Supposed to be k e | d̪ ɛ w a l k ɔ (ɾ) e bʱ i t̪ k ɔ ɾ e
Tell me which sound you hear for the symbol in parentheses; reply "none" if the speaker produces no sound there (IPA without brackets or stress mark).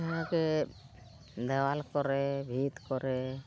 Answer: ɾ